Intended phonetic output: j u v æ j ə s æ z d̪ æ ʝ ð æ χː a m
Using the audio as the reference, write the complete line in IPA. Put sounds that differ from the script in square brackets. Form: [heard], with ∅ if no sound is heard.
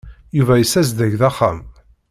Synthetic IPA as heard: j u v æ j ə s æ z d̪ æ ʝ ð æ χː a m